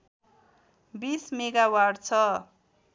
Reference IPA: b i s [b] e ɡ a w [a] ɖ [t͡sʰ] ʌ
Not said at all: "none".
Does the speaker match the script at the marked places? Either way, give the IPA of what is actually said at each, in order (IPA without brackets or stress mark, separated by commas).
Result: m, a, t͡sʰ